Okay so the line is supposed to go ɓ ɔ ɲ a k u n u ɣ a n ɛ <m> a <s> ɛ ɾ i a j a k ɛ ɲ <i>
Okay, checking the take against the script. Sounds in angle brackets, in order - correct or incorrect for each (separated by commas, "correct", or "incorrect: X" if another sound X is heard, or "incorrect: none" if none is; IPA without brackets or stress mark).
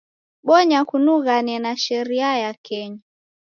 incorrect: n, incorrect: ʃ, incorrect: a